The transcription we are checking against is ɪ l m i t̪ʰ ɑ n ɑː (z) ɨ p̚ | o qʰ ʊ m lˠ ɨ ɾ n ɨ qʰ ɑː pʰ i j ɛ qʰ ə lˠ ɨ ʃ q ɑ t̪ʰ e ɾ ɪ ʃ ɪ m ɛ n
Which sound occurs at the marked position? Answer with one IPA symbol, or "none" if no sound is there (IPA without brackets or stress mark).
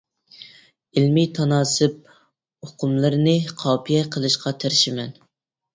s